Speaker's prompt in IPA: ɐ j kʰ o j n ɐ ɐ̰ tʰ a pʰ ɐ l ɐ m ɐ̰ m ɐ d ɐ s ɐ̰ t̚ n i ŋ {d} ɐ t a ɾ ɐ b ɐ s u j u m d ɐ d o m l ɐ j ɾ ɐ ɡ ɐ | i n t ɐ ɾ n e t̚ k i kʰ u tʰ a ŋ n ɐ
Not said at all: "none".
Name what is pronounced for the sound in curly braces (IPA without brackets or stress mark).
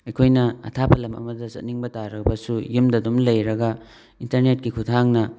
b